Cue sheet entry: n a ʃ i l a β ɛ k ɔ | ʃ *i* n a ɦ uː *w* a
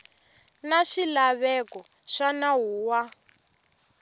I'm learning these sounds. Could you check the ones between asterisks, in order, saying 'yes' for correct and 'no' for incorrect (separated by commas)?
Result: no, yes